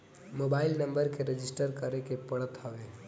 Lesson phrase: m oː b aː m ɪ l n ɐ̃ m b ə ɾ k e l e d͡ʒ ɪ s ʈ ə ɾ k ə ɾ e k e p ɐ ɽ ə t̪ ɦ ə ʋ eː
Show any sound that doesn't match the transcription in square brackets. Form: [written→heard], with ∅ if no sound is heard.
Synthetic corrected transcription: m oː b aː [m→∅] ɪ l n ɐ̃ m b ə ɾ k e [l→ɾ] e d͡ʒ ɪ s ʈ ə ɾ k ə ɾ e k e p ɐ ɽ ə t̪ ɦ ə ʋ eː